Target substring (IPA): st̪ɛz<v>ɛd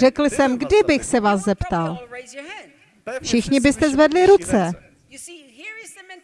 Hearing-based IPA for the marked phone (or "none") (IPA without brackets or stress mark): v